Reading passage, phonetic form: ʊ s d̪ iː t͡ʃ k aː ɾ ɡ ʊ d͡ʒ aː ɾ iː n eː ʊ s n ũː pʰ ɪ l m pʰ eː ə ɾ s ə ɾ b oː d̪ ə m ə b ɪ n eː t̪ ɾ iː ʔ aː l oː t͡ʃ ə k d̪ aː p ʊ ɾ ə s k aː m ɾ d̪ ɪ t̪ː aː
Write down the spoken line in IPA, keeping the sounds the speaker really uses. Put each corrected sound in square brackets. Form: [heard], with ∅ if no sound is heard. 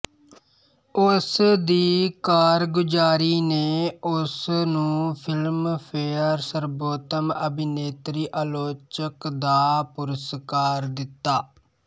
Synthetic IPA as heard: ʊ s d̪ iː [∅] k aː ɾ ɡ ʊ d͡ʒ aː ɾ iː n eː ʊ s n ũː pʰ ɪ l m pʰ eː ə ɾ s ə ɾ b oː [t̪] ə m ə b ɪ n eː t̪ ɾ iː ʔ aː l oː t͡ʃ ə k d̪ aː p ʊ ɾ ə s k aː [∅] ɾ d̪ ɪ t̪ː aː